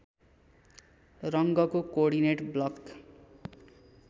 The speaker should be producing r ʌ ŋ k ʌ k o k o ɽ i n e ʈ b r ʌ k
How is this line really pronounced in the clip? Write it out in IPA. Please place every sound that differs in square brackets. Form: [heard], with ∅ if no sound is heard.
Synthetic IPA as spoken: r ʌ ŋ [ɡ] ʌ k o k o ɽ i n e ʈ b [l] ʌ k